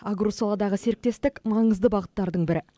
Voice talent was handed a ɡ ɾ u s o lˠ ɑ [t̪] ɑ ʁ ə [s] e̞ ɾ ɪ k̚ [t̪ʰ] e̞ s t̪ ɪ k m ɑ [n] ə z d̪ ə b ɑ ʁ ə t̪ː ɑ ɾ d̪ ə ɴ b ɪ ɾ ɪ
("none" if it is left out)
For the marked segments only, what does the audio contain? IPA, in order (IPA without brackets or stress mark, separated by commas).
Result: d̪, s, t̪, ɴ